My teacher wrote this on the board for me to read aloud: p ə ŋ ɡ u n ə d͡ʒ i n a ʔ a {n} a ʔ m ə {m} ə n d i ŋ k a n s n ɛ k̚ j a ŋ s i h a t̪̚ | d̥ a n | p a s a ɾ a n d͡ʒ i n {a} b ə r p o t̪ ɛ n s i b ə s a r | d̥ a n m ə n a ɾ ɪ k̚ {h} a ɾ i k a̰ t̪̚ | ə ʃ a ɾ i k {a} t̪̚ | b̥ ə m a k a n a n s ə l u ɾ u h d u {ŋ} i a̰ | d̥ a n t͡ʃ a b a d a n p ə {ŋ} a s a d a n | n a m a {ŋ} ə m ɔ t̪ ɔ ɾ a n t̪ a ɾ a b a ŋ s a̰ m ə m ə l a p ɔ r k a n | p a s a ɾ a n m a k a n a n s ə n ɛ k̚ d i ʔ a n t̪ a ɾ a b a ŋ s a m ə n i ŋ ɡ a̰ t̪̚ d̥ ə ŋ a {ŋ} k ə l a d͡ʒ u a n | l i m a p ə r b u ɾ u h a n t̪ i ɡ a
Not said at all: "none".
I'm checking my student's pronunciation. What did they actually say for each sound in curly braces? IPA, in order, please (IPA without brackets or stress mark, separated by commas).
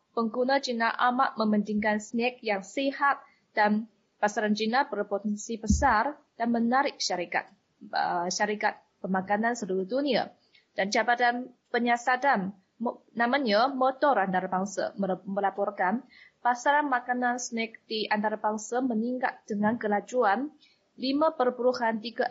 m, m, a, ʃ, a, n, ɲ, ɲ, n